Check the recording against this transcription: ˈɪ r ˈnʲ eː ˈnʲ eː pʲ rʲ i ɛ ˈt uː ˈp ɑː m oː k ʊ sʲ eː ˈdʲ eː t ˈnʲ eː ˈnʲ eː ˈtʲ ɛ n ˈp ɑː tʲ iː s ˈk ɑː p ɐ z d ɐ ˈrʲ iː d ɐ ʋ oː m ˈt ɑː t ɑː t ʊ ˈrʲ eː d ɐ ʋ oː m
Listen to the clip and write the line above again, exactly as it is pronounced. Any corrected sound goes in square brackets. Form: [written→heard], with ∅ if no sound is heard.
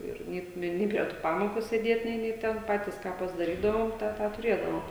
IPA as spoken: ˈɪ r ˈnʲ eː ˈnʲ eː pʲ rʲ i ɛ ˈt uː ˈp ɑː m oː k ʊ sʲ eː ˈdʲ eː t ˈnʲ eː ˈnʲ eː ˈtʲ ɛ n ˈp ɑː tʲ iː s ˈk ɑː p ɐ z d ɐ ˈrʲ iː d ɐ ʋ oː m ˈt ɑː t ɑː t ʊ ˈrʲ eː d ɐ ʋ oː m